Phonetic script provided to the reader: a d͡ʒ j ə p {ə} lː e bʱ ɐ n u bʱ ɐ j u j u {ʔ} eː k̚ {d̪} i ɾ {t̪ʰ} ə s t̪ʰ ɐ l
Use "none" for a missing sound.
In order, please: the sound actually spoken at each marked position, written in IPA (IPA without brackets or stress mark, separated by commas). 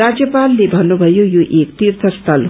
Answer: a, ʔ, t̪, t̪ʰ